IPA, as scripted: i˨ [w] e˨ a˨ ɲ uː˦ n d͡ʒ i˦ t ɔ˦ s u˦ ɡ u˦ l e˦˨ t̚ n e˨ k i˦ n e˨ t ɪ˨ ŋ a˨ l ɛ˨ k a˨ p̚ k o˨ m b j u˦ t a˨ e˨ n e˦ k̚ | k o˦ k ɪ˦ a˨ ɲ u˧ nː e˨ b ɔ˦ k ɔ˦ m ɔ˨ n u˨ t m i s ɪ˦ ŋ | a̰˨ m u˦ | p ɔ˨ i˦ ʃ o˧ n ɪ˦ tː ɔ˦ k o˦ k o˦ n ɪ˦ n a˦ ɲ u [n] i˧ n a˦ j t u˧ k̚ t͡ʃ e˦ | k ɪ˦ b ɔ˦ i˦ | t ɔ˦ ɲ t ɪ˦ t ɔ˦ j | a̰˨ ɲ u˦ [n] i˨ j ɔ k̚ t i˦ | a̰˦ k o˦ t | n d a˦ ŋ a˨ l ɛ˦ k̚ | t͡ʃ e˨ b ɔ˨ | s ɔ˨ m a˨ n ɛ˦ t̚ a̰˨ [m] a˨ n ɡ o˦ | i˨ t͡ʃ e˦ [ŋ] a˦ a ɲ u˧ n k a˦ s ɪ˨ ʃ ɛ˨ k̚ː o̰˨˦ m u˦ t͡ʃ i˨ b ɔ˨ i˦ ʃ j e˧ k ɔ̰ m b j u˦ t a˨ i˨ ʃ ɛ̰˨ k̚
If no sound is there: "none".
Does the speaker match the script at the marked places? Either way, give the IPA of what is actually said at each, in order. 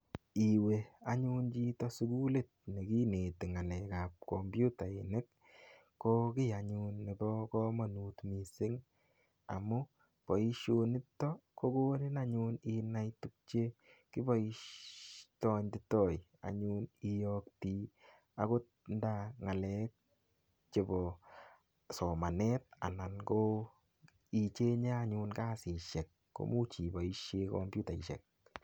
w, n, n, n, ɲ

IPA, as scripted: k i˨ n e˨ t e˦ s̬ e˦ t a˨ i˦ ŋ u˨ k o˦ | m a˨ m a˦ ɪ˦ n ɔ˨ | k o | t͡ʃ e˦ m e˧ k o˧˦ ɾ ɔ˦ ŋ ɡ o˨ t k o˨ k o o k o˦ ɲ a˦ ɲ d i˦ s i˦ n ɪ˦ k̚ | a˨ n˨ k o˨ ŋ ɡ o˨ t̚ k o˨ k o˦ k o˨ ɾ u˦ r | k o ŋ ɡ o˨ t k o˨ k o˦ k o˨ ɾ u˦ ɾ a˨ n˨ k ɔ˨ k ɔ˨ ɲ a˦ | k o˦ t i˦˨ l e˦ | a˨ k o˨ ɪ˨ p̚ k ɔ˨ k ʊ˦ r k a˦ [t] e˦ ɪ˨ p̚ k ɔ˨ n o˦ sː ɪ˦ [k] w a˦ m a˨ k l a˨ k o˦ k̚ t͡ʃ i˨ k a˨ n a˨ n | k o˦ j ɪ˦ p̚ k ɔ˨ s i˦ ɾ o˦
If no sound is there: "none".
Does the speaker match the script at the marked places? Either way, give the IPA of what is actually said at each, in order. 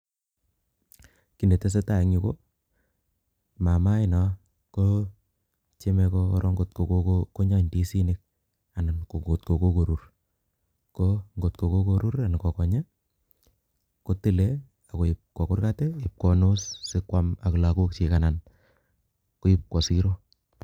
t, k

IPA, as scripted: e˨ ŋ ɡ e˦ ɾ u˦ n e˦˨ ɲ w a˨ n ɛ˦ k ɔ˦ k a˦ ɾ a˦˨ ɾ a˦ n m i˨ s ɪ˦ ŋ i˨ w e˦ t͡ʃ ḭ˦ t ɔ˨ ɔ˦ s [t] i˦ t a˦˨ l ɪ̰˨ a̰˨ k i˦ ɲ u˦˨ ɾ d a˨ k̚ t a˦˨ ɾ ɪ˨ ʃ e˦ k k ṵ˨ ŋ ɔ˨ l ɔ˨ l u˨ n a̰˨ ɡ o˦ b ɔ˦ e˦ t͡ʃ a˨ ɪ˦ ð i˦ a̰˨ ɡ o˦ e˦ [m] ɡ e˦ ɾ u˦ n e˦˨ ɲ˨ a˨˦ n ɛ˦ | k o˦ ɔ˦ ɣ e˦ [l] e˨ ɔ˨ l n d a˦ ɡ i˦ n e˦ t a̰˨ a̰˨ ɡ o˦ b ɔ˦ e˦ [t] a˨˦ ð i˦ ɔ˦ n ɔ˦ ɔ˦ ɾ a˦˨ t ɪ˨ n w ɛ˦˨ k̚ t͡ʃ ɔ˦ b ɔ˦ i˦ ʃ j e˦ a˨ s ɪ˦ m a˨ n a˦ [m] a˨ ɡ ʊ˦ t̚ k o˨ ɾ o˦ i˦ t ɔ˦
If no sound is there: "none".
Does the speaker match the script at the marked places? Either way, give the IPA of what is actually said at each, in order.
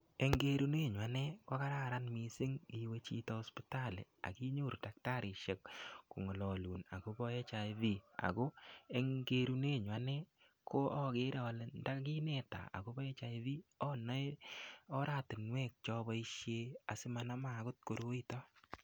p, ŋ, ɾ, t͡ʃ, m

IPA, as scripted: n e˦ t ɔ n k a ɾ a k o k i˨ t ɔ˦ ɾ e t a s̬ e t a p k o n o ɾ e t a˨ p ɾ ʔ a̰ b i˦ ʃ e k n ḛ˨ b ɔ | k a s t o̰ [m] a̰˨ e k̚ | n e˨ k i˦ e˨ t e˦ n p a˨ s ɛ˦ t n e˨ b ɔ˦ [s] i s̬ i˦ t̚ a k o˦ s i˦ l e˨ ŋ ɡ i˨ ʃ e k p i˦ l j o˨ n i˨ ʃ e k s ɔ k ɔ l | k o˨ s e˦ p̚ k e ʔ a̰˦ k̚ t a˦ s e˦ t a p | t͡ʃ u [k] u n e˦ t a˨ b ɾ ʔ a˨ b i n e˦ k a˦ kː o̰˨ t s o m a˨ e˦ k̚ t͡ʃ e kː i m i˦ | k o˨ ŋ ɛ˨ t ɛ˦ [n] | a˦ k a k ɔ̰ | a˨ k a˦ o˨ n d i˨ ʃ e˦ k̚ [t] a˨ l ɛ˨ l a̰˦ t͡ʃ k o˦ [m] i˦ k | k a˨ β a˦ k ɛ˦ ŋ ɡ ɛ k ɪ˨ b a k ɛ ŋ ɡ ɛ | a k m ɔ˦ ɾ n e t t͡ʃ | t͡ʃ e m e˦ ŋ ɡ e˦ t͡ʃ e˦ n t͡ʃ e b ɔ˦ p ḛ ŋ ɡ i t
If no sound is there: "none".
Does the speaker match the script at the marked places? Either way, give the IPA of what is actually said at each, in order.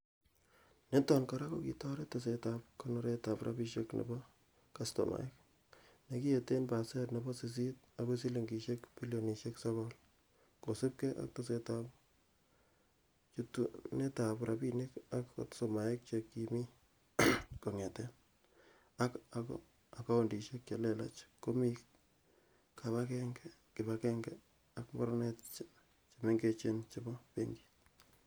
m, s, t, n, t͡ʃ, m

